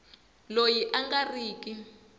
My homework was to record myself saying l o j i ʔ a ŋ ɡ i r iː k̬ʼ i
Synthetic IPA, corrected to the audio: l o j i ʔ a ŋ ɡ a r iː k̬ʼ i

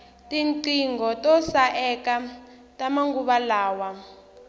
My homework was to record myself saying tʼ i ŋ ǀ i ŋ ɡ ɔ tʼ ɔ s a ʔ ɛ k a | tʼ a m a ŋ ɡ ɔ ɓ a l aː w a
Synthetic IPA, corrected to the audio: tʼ i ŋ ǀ i ŋ ɡ ɔ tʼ ɔ s a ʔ ɛ k a | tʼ a m a ŋ ɡ u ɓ a l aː w a

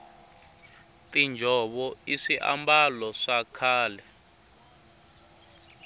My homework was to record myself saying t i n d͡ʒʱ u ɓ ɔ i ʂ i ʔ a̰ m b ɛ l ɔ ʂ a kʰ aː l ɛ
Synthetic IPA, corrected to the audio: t i n d͡ʒʱ ɔ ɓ ɔ i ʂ i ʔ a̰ m b a l ɔ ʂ a kʰ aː l ɛ

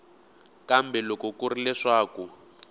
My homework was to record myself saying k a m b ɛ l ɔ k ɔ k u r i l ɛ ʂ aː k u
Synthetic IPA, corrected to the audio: k a m b ɛ l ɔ k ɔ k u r i l ɛ ʂ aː k u

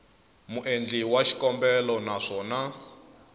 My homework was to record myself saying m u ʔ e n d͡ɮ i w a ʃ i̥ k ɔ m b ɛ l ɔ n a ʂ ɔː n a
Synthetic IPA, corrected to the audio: m u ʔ e n d͡ɮ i w a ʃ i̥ k ɔ m b ɛ l ɔ n a ʂ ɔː n a

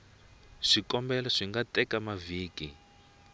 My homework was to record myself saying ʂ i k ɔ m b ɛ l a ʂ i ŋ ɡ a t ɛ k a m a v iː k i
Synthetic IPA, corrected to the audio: ʂ i k ɔ m b ɛ l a ʂ i ŋ ɡ a t ɛ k a m a v iː k i

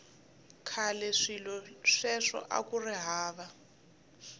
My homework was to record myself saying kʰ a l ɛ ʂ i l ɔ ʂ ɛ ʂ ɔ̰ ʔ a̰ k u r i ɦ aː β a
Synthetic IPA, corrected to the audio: kʰ a l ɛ ʂ i l ɔ ʂ ɛ ʂ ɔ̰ ʔ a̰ k u r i ɦ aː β a

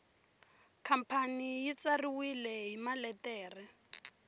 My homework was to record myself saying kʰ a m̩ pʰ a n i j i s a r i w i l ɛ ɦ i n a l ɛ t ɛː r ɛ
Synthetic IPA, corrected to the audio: kʰ a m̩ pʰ a n i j i t͡s a r i w i l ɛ ɦ i m a l ɛ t ɛː r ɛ

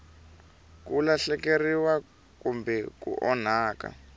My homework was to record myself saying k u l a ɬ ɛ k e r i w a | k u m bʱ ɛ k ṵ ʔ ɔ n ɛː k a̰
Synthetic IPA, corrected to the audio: k u l a ɬ ɛ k e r i w a | k u m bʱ ɛ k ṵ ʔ ɔ n aː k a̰

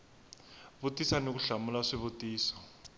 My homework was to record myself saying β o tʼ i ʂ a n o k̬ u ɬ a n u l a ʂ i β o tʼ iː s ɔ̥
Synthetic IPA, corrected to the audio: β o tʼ i s a n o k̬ u ɬ a m u l a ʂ i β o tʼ iː s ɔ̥

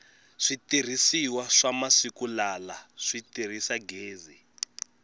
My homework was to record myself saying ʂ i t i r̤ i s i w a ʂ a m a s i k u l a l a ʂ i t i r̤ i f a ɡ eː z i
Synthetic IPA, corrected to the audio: ʂ i t i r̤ i s i w a ʂ a m a s i k u l a l a ʂ i t i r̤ i s a ɡ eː z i

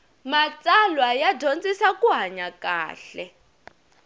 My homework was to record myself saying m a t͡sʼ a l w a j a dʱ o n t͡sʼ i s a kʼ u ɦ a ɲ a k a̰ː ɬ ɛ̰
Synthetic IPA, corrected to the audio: m a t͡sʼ a l w a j a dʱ o n t͡sʼ i s a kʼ u ɦ a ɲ a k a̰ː ɬ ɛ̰

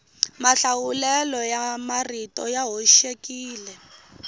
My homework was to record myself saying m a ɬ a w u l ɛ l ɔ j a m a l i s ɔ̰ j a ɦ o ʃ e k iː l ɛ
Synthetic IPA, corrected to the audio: m a ɬ a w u l ɛ l ɔ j a m a r i t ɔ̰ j a ɦ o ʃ e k iː l ɛ

